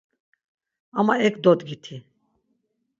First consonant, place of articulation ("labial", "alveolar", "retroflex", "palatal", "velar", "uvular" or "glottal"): labial